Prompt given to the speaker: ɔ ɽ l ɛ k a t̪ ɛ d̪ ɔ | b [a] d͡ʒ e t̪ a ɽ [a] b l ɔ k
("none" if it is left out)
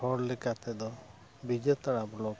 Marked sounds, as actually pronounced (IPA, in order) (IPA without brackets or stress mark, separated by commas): i, a